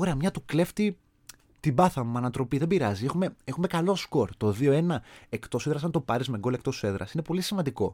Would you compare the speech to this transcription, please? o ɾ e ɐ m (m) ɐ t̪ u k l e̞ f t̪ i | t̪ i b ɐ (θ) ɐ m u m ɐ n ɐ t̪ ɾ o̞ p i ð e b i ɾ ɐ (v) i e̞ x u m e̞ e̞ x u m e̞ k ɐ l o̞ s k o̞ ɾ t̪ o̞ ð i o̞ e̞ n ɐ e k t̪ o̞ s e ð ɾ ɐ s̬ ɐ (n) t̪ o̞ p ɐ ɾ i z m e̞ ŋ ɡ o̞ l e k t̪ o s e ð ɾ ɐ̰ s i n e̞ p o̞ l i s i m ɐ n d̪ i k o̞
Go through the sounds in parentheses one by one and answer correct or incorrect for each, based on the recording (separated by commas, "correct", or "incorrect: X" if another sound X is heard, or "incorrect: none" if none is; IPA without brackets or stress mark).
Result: incorrect: ɲ, correct, incorrect: z, correct